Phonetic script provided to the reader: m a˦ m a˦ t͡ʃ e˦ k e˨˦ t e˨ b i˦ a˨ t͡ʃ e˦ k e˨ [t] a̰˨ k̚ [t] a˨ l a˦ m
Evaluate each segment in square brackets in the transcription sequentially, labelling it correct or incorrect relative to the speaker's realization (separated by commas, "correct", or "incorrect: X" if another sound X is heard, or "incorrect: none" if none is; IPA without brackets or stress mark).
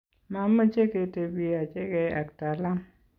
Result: incorrect: none, correct